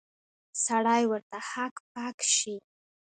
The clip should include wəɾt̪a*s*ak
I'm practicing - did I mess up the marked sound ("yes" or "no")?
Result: yes